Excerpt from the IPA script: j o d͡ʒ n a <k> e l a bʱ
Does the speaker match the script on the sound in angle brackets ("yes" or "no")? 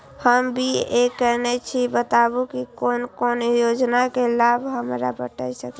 yes